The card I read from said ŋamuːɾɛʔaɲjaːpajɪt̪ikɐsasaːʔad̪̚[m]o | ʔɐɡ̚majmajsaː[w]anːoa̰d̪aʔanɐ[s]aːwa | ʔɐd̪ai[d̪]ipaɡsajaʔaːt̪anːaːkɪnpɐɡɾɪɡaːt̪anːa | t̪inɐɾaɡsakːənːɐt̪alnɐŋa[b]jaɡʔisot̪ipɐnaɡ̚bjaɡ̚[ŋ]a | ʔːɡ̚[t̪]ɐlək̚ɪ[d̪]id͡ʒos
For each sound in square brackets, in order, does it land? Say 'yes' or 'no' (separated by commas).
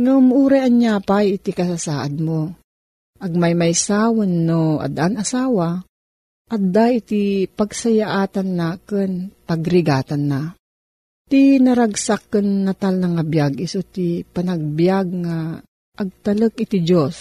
yes, yes, yes, no, yes, yes, yes, no